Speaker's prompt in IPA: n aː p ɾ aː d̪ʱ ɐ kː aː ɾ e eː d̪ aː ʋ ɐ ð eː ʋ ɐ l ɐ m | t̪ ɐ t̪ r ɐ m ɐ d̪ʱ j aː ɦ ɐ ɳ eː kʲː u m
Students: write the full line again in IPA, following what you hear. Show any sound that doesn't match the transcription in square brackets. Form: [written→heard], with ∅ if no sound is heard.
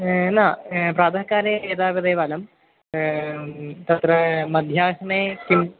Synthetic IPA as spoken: n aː p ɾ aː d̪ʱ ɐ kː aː ɾ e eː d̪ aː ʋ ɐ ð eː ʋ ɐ l ɐ m | t̪ ɐ t̪ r ɐ m ɐ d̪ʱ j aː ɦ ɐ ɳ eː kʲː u m